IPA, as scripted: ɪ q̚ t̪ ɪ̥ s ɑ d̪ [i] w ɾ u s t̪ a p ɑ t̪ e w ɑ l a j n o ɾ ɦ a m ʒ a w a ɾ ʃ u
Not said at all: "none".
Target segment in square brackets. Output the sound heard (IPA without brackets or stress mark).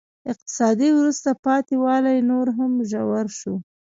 i